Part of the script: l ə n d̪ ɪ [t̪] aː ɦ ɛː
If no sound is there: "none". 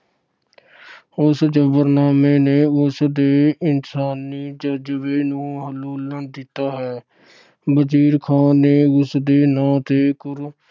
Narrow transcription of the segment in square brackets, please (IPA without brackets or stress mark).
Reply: t̪